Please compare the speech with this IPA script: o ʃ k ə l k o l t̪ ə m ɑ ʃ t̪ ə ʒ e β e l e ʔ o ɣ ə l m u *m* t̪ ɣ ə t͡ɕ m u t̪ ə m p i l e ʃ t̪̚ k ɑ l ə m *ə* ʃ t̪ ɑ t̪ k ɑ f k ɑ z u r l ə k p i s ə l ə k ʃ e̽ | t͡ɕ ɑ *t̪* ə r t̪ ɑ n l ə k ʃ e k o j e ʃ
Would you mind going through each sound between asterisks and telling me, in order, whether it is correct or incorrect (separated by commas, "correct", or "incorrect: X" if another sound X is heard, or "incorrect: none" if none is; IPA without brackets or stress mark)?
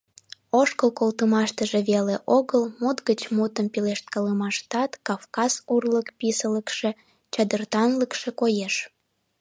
incorrect: none, incorrect: ɑ, incorrect: d̪